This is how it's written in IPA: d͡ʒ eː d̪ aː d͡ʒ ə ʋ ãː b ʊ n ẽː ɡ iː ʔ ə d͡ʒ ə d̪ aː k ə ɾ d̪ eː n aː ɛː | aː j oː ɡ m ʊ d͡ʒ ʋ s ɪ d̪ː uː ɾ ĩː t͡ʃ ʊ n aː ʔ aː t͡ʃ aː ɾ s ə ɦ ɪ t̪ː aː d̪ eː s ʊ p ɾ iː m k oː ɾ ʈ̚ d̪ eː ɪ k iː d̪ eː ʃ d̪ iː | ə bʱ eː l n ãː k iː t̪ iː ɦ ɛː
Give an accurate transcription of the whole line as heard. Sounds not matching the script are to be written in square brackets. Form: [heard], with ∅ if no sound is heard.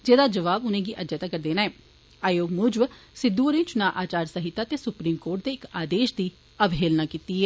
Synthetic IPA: d͡ʒ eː d̪ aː d͡ʒ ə ʋ [aː] b ʊ n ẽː ɡ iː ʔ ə d͡ʒ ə [t̪] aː k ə ɾ d̪ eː n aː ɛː | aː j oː ɡ m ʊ d͡ʒ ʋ s ɪ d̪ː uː ɾ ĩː t͡ʃ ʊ n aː ʔ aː t͡ʃ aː ɾ s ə ɦ ɪ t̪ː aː [t̪] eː s ʊ p ɾ iː m k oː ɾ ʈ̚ d̪ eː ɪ k [aː] d̪ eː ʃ d̪ iː | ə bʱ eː l n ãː k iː t̪ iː ɦ ɛː